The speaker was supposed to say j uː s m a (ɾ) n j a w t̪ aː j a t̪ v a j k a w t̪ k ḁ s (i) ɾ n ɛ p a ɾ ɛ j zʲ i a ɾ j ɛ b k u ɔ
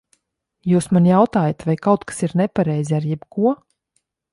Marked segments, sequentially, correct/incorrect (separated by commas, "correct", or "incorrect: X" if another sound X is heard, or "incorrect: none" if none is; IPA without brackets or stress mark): incorrect: none, correct